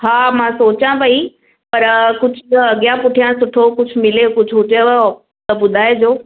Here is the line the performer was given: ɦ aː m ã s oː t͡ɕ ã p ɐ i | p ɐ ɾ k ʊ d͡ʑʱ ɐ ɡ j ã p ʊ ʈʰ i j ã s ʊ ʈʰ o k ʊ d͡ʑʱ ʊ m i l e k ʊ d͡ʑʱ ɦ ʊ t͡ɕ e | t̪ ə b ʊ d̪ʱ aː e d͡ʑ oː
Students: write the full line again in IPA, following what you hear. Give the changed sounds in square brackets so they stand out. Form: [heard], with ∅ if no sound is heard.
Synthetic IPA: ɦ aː m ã s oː t͡ɕ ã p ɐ i | p ɐ ɾ k ʊ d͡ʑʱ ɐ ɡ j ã p ʊ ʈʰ i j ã s ʊ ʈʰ o k ʊ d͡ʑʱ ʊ m [ɪ] l e k ʊ d͡ʑʱ ɦ ʊ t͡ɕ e | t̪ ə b ʊ d̪ʱ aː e d͡ʑ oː